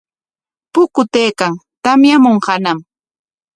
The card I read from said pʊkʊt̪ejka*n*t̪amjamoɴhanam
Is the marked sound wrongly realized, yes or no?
yes